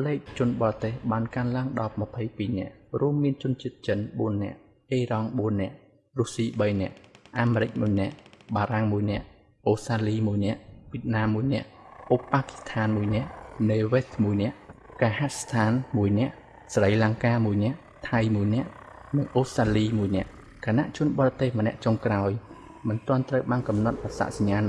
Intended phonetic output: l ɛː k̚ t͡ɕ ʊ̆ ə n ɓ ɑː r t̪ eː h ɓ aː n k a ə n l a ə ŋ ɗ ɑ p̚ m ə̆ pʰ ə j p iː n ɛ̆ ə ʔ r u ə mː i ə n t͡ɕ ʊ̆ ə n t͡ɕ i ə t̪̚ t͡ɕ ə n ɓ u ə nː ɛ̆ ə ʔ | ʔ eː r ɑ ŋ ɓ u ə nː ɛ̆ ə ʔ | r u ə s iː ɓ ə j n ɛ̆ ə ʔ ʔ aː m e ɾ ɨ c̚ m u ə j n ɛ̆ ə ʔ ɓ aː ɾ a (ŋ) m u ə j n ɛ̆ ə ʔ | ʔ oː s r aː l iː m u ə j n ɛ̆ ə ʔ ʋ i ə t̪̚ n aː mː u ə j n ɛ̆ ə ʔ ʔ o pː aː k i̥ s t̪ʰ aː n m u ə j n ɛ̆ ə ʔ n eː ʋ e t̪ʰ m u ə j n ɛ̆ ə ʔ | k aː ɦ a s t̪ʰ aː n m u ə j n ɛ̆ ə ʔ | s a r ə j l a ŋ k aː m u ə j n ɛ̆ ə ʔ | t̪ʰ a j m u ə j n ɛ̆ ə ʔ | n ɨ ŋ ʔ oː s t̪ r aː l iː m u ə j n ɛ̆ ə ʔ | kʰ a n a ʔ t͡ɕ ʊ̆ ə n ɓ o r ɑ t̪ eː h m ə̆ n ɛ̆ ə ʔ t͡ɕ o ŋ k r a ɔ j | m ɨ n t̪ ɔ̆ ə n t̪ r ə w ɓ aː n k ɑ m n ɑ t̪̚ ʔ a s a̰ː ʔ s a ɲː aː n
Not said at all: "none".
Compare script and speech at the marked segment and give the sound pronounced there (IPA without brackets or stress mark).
ŋ